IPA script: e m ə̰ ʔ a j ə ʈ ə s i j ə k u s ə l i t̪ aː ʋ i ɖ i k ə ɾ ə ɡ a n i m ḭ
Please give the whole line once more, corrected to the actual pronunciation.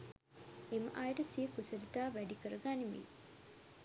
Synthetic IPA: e m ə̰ ʔ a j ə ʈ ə s i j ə k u s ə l i t̪ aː ʋ æ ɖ i k ə ɾ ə ɡ a n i m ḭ